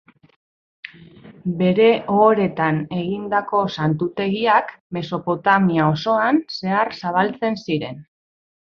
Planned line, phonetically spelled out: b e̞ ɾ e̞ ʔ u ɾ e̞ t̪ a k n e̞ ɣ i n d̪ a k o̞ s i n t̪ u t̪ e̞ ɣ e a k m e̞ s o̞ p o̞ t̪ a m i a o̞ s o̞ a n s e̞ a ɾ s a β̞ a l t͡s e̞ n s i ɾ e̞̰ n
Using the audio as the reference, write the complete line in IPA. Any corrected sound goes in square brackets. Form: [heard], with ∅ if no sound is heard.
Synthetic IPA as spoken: b e̞ ɾ e̞ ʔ [o] ɾ e̞ t̪ a [∅] n e̞ ɣ i n d̪ a k o̞ s [a] n t̪ u t̪ e̞ ɣ [i] a k m e̞ s o̞ p o̞ t̪ a m i a o̞ s o̞ a n s e̞ a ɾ s a β̞ a l t͡s e̞ n s i ɾ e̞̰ n